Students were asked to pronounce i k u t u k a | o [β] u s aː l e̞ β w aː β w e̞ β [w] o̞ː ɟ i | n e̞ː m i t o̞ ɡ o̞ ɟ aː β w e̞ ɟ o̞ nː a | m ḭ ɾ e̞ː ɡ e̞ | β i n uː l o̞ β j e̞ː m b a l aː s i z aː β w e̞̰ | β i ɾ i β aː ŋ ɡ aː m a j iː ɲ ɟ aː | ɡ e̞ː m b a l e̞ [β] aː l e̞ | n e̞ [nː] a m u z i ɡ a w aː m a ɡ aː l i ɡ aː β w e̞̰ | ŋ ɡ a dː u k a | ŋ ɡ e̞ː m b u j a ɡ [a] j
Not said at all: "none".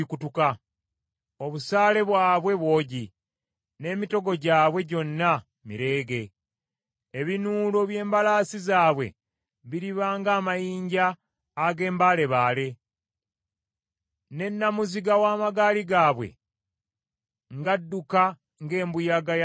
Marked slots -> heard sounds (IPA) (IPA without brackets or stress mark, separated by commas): β, w, β, nː, a